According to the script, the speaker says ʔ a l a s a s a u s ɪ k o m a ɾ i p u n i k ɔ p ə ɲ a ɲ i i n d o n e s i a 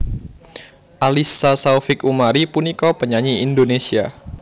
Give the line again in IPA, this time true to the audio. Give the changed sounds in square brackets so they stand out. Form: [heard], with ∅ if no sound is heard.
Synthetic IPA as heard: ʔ a l [i] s a s a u [f] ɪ k [u] m a ɾ i p u n i k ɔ p ə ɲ a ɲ i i n d o n e s i a